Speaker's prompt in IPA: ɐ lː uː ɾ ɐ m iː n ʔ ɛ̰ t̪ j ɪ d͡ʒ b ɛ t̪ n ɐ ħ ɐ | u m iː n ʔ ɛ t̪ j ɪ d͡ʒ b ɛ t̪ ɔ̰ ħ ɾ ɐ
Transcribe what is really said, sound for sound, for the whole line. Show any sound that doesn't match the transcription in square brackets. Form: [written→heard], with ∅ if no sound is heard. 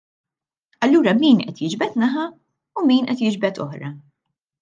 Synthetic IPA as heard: ɐ lː uː ɾ ɐ m iː n ʔ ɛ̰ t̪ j ɪ d͡ʒ b ɛ t̪ n ɐ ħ ɐ | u m iː n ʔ ɛ t̪ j ɪ d͡ʒ b ɛ t̪ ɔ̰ ħ ɾ ɐ